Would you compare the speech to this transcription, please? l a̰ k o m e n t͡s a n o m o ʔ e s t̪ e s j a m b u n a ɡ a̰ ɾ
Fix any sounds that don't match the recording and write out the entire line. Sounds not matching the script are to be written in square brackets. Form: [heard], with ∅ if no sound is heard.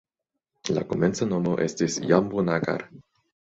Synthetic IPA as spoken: l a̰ k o m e n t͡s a n o m o ʔ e s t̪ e s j a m b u n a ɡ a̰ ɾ